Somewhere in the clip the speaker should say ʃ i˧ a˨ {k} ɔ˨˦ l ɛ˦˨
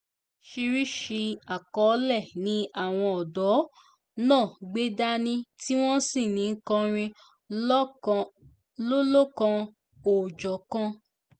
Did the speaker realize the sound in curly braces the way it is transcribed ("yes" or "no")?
yes